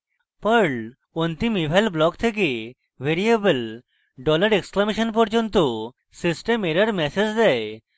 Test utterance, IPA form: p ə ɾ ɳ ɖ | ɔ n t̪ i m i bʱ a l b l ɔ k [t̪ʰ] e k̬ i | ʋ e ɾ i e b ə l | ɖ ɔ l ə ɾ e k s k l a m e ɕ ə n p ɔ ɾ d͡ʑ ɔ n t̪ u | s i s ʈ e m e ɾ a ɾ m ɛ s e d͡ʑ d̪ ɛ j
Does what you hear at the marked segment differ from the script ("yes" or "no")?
no